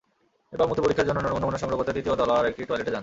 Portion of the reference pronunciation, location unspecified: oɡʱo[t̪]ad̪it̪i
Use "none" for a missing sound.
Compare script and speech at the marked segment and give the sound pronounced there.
t̪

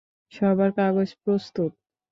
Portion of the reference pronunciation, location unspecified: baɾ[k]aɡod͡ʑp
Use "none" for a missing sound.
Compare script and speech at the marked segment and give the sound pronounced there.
k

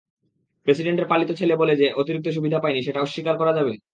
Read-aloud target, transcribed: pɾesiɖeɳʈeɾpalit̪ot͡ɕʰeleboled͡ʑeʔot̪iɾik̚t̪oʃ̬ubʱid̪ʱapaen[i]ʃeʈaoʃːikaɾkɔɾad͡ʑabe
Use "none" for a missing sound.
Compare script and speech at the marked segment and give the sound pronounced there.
i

